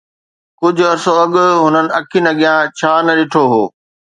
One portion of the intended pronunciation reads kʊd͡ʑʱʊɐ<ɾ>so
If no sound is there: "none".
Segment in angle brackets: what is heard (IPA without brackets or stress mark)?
ɾ